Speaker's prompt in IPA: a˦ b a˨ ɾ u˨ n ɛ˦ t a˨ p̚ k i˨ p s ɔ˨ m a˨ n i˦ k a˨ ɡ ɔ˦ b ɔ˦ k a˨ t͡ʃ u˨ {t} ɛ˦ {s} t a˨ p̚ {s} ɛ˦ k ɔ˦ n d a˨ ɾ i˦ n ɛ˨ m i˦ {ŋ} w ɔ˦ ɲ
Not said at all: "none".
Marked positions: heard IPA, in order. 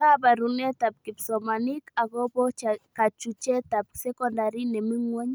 t͡ʃ, none, s, ŋ

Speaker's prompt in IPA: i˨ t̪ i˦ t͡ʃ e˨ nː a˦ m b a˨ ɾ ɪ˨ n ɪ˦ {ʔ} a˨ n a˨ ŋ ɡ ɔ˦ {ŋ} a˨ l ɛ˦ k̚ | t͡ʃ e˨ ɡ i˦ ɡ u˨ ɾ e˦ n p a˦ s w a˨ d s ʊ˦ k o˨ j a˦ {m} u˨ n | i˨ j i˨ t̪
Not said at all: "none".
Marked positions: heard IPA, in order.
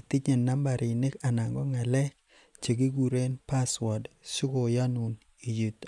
k, ŋ, n

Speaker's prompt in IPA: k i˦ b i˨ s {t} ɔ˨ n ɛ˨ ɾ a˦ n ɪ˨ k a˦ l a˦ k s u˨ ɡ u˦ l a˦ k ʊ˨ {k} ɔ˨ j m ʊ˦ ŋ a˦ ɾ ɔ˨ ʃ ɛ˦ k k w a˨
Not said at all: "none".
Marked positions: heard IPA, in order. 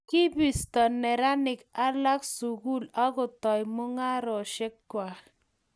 t, t

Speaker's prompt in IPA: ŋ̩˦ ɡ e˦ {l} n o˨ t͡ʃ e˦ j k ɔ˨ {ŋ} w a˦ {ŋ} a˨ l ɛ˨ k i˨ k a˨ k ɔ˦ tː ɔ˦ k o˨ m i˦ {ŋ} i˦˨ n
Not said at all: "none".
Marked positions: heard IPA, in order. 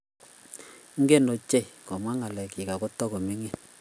none, m, ŋ, ŋ

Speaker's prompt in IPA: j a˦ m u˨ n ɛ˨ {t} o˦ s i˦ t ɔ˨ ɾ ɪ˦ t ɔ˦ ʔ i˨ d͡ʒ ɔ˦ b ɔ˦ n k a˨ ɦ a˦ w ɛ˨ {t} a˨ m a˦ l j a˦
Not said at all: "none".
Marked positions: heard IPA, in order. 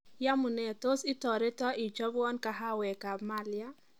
t, k

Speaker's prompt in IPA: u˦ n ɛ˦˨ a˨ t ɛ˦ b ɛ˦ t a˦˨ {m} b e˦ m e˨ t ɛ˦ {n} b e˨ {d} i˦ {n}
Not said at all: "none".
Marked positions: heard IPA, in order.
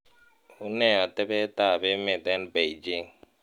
none, n, d͡ʒ, ŋ

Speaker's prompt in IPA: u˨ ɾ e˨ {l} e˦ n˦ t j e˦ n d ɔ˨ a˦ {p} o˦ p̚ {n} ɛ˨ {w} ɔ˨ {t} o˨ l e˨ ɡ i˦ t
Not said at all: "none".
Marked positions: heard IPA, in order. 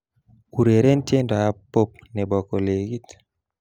ɾ, p, n, b, k

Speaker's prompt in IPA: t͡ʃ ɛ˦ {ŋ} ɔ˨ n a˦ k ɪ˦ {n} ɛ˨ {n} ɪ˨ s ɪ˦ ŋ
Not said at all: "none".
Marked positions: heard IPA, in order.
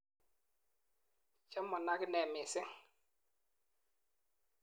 m, n, m

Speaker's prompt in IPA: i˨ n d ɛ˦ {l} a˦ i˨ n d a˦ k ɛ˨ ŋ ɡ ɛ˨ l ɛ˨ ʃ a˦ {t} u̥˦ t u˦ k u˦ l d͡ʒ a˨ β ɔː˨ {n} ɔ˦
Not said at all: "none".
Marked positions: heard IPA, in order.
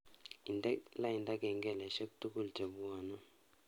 l, k, n

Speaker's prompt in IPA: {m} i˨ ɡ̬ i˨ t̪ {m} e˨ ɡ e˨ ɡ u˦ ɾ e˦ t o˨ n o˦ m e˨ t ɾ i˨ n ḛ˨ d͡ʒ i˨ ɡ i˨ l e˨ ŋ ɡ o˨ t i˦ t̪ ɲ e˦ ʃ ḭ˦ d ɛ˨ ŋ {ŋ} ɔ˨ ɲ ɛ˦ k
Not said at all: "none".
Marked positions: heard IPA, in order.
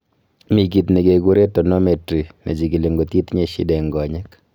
m, n, ɡ

